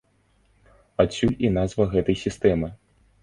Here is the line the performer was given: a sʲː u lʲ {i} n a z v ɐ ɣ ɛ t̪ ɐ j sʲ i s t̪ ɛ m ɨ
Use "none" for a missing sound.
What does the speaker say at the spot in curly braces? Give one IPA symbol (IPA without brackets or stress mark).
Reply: i